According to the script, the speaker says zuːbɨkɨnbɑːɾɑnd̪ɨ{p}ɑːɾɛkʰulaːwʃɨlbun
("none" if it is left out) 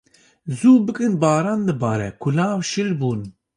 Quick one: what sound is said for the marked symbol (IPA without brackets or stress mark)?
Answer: b